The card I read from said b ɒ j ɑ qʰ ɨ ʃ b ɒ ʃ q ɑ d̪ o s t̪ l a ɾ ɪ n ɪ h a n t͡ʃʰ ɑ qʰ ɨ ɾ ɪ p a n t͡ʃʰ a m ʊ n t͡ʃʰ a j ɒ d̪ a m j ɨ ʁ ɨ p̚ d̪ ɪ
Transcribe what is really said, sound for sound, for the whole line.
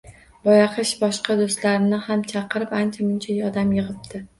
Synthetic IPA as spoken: b ɒ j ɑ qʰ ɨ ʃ b ɒ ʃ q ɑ d̪ o s t̪ l a ɾ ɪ n ɪ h a m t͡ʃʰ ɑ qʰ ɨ ɾ ɪ p a n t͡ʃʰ a m ʊ n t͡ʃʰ a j ɒ d̪ a m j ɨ ʁ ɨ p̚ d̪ ɪ

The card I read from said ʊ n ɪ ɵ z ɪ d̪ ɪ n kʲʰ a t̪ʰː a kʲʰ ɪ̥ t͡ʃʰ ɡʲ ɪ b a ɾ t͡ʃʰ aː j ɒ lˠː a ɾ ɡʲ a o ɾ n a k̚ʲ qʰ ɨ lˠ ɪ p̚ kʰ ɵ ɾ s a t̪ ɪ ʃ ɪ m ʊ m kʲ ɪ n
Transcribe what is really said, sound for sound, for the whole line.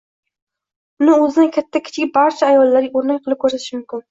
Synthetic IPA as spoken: ʊ n ɪ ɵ z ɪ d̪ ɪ n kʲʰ a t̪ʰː a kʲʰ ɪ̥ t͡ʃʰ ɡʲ ɪ b a ɾ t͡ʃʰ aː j ɒ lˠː a ɾ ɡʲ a o ɾ n a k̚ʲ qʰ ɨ lˠ ɪ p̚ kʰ ɵ ɾ s a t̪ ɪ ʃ ɪ m ʊ m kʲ ɪ n

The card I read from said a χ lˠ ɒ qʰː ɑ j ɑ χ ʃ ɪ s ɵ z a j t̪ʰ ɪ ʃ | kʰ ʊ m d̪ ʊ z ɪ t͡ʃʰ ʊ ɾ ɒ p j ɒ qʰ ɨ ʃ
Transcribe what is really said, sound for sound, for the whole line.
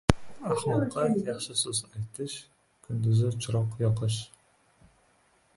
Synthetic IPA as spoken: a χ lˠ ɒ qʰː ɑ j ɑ χ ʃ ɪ s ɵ z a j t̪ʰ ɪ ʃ | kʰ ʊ n d̪ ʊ z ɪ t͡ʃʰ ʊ ɾ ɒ q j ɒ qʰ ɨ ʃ

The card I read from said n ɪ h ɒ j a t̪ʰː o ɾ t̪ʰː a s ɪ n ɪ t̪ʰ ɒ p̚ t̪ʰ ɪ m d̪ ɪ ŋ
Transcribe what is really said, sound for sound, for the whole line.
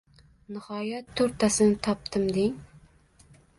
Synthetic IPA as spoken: n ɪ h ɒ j a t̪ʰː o ɾ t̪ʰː a s ɪ n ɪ t̪ʰ ɒ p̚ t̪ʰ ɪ m d̪ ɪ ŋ

